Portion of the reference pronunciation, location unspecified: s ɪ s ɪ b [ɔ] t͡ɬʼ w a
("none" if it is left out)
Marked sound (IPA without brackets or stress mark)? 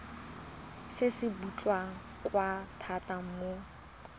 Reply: u